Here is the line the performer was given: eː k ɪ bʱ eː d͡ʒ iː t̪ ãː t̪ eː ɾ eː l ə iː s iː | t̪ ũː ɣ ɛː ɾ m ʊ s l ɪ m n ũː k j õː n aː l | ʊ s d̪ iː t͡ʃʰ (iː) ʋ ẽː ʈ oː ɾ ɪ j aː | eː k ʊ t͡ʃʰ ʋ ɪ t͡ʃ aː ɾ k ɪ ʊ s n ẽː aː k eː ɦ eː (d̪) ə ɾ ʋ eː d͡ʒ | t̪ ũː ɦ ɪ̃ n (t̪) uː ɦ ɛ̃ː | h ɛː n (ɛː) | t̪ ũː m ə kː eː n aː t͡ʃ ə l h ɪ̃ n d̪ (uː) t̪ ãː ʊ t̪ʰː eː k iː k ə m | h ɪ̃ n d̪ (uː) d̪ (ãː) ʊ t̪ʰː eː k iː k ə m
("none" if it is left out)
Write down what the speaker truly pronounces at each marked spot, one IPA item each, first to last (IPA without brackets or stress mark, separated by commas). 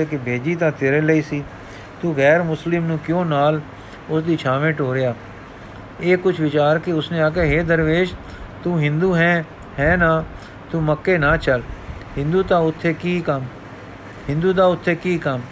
aː, d̪, d̪, aː, uː, uː, aː